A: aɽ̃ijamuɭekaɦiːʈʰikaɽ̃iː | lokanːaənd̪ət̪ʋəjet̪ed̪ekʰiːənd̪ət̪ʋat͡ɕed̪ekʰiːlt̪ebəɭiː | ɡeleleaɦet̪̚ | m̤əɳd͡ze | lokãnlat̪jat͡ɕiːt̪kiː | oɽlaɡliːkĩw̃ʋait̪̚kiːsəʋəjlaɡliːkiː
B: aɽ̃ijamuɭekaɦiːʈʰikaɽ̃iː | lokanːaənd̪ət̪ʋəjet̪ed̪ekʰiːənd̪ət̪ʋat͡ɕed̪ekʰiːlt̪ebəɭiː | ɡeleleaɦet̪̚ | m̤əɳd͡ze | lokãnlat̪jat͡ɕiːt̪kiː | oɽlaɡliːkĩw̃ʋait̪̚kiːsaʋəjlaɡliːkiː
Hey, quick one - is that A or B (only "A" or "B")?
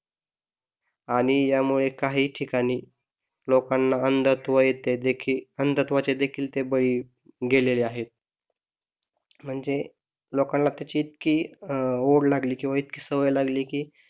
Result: A